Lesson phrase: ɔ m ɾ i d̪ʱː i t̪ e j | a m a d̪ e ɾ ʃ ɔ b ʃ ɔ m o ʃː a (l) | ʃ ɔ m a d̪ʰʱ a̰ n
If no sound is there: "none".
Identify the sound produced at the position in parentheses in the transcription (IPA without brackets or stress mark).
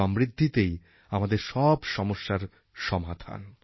ɾ